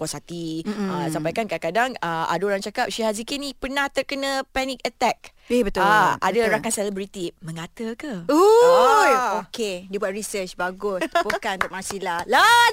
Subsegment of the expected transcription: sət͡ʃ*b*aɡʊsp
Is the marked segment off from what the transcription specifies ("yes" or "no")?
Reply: no